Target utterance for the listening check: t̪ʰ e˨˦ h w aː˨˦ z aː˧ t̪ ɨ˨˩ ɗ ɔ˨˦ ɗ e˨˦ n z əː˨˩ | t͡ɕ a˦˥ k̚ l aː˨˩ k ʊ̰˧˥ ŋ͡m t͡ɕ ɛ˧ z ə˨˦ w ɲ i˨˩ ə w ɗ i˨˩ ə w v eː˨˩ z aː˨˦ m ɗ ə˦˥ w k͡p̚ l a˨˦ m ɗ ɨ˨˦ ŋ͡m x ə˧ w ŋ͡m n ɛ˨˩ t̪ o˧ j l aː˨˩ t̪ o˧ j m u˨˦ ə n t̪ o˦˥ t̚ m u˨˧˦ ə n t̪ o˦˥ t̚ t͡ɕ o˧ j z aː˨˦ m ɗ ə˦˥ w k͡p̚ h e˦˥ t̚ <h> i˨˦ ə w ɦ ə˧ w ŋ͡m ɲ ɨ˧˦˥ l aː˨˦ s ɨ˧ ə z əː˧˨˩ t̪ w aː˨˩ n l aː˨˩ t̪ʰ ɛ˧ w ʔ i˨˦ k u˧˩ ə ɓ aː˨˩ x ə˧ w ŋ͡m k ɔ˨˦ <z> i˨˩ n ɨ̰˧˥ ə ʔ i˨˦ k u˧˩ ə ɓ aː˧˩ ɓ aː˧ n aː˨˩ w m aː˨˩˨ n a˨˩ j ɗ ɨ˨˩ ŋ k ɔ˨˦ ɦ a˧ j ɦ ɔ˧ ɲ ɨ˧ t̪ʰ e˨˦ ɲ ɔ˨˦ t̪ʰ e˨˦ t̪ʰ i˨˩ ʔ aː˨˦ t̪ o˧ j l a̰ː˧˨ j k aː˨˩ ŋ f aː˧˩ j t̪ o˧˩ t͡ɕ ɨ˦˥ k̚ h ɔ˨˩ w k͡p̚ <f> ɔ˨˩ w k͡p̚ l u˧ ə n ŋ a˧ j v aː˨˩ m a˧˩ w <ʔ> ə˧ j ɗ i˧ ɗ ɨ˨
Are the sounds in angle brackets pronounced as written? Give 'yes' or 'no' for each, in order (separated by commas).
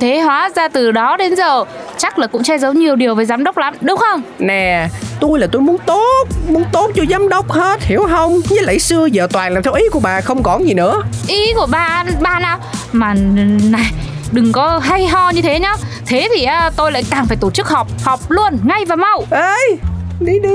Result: yes, yes, no, yes